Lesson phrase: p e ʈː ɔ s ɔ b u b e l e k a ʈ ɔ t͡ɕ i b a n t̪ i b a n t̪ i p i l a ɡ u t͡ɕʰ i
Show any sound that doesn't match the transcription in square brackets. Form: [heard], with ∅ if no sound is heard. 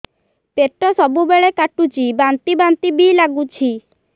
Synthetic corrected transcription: p e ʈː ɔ s ɔ b u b e [ɭ] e k a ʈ [u] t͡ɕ i b a n t̪ i b a n t̪ i [b] i l a ɡ u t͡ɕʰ i